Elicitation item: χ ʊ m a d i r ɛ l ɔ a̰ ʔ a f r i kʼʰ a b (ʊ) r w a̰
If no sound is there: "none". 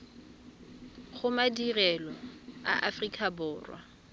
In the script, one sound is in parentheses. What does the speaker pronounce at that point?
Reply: ʊː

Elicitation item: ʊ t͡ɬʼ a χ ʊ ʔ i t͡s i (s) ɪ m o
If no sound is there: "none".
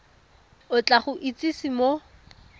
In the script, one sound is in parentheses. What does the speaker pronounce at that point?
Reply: s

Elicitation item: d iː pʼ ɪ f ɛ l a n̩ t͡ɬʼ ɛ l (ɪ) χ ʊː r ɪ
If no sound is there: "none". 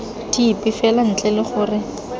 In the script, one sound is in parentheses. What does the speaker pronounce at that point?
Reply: ɪ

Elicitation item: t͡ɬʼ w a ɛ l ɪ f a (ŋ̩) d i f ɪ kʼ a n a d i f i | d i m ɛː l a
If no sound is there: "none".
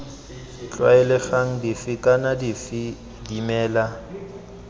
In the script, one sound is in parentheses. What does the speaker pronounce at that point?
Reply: ŋ̩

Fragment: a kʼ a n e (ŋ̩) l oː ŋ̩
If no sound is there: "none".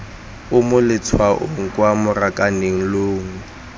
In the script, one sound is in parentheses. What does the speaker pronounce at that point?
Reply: ŋ̩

